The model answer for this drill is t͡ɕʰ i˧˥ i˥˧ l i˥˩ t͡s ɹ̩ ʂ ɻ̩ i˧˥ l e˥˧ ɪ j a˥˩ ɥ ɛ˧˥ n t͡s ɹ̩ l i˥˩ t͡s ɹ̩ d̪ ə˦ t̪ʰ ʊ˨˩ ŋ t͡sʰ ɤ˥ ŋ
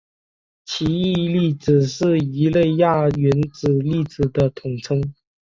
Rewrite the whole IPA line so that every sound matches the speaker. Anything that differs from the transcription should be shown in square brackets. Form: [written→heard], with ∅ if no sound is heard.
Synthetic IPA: t͡ɕʰ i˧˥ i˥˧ l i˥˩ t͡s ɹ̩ ʂ ɻ̩ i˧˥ l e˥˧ ɪ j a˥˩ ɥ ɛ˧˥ n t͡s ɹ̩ l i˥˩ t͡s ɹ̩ d̪ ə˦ t̪ʰ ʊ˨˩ ŋ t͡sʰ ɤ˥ ŋ